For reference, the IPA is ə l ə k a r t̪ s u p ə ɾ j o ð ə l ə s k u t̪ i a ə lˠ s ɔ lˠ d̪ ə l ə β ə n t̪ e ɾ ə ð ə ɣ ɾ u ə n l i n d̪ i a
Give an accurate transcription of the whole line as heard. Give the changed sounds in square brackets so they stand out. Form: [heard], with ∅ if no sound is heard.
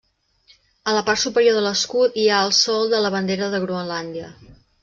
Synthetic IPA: ə l ə [p] a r t̪ s u p ə ɾ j o ð ə l ə s k u t̪ i a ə lˠ s ɔ lˠ d̪ ə l ə β ə n [d̪] e ɾ ə ð ə ɣ ɾ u ə n l [a] n d̪ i [ə]